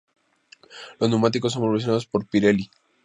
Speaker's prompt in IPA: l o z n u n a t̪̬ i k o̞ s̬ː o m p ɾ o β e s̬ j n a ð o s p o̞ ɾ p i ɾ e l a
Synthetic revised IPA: l o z n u m a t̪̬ i k o̞ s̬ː o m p ɾ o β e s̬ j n a ð o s p o̞ ɾ p i ɾ e l i